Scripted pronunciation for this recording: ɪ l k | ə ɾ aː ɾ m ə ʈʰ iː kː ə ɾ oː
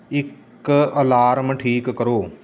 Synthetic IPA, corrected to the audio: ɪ k | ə l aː ɾ m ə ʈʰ iː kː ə ɾ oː